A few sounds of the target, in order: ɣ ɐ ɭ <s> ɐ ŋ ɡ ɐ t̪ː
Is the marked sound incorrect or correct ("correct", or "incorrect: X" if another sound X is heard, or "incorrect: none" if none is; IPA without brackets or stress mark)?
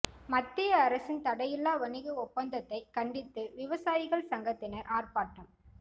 correct